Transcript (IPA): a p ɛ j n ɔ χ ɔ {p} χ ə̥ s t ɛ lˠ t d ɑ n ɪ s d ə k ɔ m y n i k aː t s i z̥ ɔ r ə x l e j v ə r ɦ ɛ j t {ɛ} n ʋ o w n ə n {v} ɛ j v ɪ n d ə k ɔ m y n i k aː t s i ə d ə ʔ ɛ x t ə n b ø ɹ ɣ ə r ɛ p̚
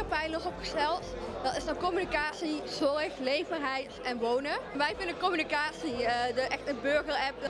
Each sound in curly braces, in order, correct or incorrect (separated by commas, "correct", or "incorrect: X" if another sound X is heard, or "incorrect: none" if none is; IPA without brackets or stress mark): correct, correct, incorrect: ʋ